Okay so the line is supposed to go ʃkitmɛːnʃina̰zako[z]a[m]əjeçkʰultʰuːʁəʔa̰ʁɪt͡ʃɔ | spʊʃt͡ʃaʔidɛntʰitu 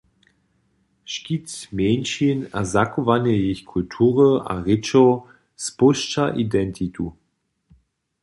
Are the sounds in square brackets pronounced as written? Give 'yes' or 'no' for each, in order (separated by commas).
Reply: no, no